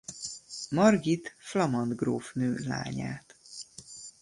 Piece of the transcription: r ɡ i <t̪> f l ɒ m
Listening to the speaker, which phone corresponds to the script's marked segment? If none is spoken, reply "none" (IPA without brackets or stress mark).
t̪